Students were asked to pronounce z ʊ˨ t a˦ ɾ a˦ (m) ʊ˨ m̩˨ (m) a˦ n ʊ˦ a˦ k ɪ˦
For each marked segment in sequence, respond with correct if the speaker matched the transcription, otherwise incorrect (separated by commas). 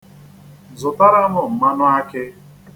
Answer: correct, correct